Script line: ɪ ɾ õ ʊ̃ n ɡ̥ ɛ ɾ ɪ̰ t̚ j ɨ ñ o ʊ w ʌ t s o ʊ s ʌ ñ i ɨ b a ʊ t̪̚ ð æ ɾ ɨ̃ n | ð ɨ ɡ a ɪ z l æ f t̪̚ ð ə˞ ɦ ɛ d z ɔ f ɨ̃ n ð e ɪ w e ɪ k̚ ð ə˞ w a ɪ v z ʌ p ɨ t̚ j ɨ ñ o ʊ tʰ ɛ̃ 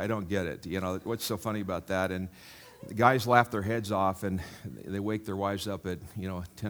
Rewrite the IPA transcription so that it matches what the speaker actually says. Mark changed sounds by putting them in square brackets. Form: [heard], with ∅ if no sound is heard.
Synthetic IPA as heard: ɪ ɾ õ ʊ̃ n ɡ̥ ɛ ɾ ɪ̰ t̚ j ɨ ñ o ʊ w ʌ t s o ʊ [f] ʌ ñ i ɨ b a ʊ t̪̚ ð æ ɾ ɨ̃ n | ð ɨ ɡ a ɪ z l æ f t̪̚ ð ə˞ ɦ ɛ d z ɔ f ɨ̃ n ð e ɪ w e ɪ k̚ ð ə˞ w a ɪ v z ʌ p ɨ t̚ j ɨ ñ o ʊ tʰ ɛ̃